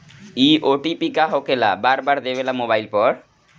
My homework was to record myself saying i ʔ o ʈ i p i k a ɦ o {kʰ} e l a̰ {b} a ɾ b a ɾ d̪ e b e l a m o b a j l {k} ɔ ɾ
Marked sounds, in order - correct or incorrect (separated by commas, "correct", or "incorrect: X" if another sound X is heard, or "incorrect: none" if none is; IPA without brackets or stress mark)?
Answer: incorrect: k, correct, incorrect: p